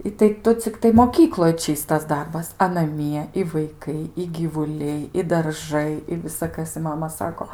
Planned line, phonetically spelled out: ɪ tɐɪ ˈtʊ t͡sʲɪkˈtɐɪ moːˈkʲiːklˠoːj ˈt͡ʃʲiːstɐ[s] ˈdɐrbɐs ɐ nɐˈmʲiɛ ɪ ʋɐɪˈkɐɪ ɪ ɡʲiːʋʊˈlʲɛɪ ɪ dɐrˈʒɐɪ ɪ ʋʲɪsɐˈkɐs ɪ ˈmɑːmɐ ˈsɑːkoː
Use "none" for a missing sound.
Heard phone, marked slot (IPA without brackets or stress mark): s